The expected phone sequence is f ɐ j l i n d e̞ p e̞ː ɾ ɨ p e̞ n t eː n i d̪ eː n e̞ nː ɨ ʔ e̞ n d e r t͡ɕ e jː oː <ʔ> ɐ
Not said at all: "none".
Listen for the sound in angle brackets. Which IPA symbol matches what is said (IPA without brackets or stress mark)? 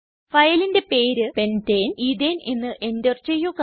k